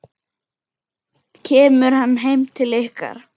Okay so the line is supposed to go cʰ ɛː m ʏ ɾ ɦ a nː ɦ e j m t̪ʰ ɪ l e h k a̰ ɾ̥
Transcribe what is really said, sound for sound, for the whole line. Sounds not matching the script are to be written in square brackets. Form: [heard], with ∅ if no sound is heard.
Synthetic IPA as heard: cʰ ɛː m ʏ ɾ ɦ a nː ɦ e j m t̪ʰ ɪ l e h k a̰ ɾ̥